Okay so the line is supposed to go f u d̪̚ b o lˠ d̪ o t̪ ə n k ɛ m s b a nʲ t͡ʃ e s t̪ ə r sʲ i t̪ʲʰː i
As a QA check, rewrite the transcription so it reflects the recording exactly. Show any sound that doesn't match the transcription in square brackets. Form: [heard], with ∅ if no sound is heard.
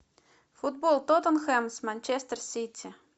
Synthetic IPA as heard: f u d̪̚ b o lˠ [t̪] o t̪ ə n [x] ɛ m s [m] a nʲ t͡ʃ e s t̪ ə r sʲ i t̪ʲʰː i